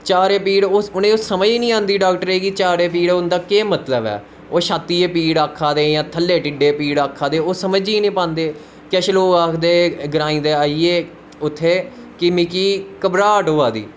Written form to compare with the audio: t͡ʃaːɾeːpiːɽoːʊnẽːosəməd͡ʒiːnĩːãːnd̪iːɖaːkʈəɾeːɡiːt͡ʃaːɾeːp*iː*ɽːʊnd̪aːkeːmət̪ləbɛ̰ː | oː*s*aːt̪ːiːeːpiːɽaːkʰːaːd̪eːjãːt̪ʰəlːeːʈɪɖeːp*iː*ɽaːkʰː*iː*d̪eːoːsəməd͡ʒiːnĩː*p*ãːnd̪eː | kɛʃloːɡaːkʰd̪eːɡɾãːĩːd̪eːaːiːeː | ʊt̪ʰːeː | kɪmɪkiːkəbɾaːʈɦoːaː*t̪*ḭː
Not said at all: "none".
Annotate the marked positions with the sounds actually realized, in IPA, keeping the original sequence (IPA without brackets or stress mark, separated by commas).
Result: iː, ʃ, iː, aː, p, d̪